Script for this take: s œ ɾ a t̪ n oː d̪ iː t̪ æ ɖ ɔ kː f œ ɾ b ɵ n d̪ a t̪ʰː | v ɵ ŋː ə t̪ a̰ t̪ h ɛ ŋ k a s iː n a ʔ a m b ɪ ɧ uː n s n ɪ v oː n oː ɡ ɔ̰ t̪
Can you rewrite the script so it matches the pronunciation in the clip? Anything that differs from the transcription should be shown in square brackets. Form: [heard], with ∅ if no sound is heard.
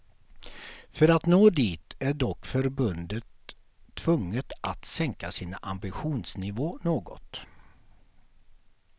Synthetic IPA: [f] œ ɾ a t̪ n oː d̪ iː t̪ æ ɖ ɔ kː f œ ɾ b ɵ n d̪ [ə] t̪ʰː | v ɵ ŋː ə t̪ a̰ t̪ [s] ɛ ŋ k a s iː n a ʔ a m b ɪ ɧ uː n s n ɪ v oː n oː ɡ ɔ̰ t̪